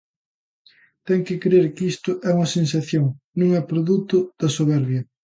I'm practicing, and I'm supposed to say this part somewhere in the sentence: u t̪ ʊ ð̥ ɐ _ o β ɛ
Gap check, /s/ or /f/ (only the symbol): s